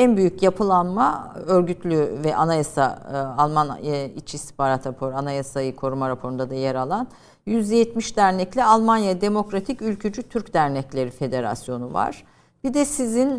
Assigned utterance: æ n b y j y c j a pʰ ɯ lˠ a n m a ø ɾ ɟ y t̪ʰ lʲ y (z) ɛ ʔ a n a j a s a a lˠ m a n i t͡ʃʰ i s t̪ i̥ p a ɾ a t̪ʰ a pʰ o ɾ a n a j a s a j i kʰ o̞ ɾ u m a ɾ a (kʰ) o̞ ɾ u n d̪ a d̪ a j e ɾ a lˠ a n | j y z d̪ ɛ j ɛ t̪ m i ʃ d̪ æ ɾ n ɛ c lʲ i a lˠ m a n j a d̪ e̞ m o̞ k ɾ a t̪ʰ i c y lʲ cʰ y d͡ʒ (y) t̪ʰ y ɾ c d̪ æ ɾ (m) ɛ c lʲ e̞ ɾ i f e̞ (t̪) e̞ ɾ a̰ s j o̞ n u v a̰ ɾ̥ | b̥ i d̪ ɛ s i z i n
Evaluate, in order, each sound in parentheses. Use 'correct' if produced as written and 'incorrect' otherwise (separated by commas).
incorrect, incorrect, correct, incorrect, incorrect